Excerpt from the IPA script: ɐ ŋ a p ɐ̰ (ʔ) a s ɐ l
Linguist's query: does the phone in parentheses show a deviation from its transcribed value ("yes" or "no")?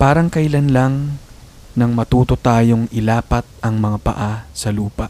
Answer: no